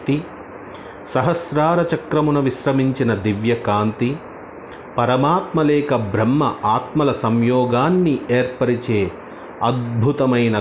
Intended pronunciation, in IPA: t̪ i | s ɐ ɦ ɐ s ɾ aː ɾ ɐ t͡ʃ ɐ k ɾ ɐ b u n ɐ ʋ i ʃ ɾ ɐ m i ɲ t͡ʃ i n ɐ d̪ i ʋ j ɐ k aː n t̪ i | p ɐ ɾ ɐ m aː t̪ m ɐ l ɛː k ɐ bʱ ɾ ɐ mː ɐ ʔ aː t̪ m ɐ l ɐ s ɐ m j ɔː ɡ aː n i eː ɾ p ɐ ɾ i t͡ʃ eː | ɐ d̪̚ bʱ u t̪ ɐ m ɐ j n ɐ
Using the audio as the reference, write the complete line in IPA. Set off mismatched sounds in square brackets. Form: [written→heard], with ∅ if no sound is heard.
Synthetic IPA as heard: t̪ i | s ɐ ɦ ɐ s ɾ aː ɾ ɐ t͡ʃ ɐ k ɾ ɐ [b→m] u n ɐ ʋ i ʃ ɾ ɐ m i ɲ t͡ʃ i n ɐ d̪ i ʋ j ɐ k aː n t̪ i | p ɐ ɾ ɐ m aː t̪ m ɐ l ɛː k ɐ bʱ ɾ ɐ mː ɐ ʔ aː t̪ m ɐ l ɐ s ɐ m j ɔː ɡ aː [n→nː] i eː ɾ p ɐ ɾ i t͡ʃ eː | ɐ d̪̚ bʱ u t̪ ɐ m ɐ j n ɐ